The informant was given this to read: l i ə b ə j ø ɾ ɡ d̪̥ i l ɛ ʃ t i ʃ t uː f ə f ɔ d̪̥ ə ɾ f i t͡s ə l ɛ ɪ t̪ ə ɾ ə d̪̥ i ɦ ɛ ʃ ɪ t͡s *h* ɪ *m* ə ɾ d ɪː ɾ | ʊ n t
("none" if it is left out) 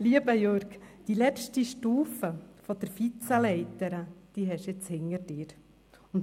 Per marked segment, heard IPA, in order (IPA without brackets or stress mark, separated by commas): h, ŋ